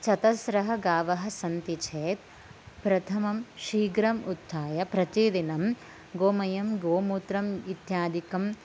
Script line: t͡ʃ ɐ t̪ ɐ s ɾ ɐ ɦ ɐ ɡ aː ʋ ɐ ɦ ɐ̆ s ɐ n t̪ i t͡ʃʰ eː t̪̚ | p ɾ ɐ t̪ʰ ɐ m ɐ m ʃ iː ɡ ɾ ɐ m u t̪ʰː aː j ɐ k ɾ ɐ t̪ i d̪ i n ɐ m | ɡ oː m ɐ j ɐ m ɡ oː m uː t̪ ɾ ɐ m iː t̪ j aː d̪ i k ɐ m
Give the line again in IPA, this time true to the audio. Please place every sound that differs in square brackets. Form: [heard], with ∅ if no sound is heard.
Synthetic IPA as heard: t͡ʃ ɐ t̪ ɐ s ɾ ɐ ɦ ɐ ɡ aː ʋ ɐ ɦ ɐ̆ s ɐ n t̪ i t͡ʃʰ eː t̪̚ | p ɾ ɐ t̪ʰ ɐ m ɐ m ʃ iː ɡ ɾ ɐ m u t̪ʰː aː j ɐ [p] ɾ ɐ t̪ i d̪ i n ɐ m | ɡ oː m ɐ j ɐ m ɡ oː m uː t̪ ɾ ɐ m [i] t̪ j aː d̪ i k ɐ m